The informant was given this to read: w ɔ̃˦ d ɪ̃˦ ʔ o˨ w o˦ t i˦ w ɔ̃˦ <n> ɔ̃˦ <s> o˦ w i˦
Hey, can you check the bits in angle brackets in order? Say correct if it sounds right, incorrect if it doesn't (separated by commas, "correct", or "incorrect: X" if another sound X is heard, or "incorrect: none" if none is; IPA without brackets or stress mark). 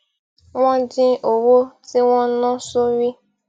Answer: correct, correct